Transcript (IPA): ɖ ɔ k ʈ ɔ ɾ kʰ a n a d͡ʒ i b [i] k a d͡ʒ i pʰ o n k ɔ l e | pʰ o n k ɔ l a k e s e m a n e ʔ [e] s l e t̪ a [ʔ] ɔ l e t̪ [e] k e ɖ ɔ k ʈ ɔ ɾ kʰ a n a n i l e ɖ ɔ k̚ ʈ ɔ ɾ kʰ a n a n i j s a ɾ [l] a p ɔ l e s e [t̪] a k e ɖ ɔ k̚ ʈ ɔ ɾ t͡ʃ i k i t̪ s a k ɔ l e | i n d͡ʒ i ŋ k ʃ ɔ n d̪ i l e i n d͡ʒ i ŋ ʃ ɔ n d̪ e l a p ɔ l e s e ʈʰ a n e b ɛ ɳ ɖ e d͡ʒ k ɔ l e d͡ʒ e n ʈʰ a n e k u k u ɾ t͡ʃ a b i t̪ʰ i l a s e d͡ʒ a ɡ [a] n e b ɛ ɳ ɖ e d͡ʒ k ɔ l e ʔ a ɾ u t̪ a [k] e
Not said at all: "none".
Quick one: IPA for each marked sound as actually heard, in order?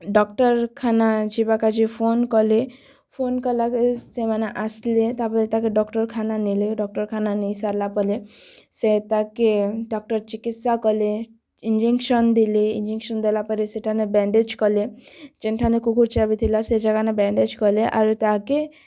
a, a, p, a, l, t̪, a, k

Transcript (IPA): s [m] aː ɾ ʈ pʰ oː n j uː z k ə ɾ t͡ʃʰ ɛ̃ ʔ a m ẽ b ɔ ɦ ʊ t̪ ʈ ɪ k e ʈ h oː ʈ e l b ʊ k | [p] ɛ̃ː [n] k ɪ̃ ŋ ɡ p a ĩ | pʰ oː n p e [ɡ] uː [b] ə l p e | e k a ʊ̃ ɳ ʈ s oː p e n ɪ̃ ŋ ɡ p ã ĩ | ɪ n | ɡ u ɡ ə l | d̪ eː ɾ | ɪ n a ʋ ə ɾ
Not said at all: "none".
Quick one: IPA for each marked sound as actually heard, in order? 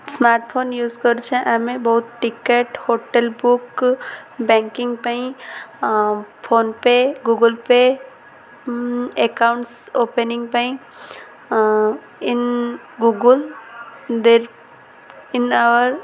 m, b, ŋ, ɡ, ɡ

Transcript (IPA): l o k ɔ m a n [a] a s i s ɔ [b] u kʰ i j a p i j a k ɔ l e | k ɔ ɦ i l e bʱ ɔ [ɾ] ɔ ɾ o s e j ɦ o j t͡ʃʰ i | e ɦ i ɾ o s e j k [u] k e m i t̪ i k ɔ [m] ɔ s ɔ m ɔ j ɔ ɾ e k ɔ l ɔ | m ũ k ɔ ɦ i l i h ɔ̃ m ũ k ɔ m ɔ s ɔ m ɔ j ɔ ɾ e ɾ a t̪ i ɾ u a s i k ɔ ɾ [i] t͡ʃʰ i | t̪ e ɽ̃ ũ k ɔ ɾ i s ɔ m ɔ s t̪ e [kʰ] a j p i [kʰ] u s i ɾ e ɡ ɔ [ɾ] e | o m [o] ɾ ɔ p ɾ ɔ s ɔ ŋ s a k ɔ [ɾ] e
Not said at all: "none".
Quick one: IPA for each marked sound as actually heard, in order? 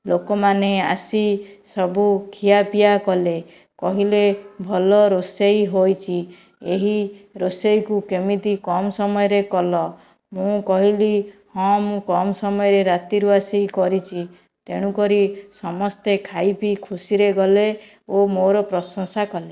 e, b, l, u, m, i, kʰ, kʰ, l, o, l

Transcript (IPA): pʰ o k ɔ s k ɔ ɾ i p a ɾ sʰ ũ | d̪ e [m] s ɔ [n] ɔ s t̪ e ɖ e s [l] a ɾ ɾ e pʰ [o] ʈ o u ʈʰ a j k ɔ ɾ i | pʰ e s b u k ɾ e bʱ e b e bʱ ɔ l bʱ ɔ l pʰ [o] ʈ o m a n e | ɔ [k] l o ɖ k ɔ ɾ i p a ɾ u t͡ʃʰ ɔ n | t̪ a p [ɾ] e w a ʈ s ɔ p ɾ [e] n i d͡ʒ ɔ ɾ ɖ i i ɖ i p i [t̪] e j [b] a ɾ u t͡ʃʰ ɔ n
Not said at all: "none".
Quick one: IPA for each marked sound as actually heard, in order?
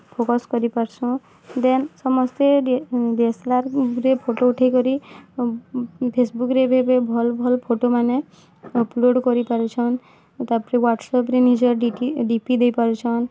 n, m, l, o, o, p, ɾ, e, d̪, p

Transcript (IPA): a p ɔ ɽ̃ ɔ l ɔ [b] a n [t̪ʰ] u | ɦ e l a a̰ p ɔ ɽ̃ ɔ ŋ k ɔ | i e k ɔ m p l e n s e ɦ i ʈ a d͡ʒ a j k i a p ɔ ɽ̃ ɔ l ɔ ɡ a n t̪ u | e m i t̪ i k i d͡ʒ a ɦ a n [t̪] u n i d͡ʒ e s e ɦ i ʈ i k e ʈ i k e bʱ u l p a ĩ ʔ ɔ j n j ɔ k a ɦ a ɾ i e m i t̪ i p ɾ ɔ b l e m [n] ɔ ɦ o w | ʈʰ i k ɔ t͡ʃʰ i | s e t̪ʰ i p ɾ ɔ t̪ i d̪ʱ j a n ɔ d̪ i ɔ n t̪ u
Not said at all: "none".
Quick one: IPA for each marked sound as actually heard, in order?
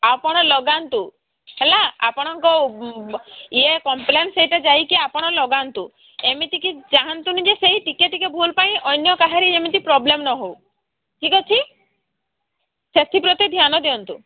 ɡ, t̪, t̪, n

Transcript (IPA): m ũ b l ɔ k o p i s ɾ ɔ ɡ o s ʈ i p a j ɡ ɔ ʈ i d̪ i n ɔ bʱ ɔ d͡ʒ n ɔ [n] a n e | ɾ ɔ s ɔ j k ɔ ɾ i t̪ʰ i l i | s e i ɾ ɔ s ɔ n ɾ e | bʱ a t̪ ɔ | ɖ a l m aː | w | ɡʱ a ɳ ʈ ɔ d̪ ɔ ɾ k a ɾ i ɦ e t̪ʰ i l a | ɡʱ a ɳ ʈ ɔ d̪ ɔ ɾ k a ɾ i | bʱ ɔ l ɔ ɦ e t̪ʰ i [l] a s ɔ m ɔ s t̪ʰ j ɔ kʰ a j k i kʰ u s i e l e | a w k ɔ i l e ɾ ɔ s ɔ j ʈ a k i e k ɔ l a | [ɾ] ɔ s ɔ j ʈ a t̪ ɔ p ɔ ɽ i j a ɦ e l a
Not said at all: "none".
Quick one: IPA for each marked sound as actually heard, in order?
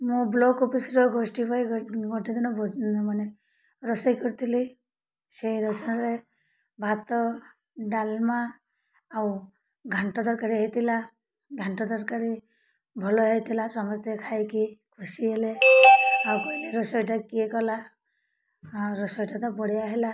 m, l, ɾ

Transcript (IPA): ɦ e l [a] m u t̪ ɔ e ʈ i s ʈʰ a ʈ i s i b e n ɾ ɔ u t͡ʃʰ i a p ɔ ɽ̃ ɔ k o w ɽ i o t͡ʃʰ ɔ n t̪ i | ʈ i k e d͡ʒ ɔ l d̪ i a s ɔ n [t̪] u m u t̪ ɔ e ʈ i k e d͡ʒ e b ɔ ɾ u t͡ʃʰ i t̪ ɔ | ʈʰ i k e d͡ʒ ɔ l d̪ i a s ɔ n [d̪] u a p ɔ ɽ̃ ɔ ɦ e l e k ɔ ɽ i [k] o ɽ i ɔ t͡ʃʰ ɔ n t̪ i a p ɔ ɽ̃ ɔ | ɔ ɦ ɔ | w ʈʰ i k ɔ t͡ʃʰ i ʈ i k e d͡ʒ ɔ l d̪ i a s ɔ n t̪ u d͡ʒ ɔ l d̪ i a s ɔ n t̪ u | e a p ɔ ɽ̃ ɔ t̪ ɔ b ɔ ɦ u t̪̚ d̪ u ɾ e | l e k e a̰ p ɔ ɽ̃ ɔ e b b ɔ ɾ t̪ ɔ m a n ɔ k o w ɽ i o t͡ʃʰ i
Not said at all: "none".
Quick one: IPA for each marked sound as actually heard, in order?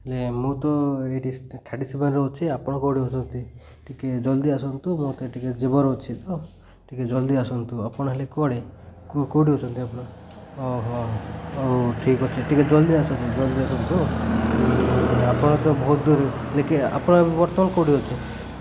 e, t̪, t̪, k

